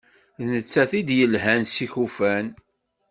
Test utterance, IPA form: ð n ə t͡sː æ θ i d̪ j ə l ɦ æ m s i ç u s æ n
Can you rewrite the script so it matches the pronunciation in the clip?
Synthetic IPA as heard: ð n ə t͡sː æ θ i d̪ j ə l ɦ æ n s i ç u f æ n